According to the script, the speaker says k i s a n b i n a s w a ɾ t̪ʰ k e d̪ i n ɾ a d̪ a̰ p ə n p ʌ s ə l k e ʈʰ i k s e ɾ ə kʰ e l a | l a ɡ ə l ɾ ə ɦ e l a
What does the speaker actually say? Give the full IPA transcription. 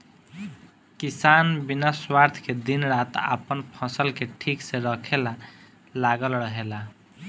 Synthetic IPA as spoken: k i s a n b i n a s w a ɾ t̪ʰ k e d̪ i n ɾ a t̪ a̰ p ə n pʰ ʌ s ə l k e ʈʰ i k s e ɾ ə kʰ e l a | l a ɡ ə l ɾ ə ɦ e l a